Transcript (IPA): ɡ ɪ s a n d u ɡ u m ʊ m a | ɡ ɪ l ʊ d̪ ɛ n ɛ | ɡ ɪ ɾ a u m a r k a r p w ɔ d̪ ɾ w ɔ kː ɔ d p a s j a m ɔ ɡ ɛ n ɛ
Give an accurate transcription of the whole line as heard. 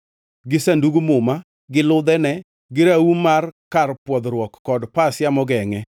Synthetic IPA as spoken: ɡ ɪ s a n d u ɡ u m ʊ m a | ɡ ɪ l ʊ d̪ ɛ n ɛ | ɡ ɪ ɾ a u m a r k a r p w ɔ d̪ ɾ w ɔ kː ɔ d p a s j a m ɔ ɡ ɛ ŋ ɛ